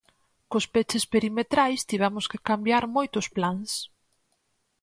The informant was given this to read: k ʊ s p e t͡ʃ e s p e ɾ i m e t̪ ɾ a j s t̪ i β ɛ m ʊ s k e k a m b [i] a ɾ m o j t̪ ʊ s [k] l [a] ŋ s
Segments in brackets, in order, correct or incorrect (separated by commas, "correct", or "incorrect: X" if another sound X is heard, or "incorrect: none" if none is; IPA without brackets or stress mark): incorrect: j, incorrect: p, correct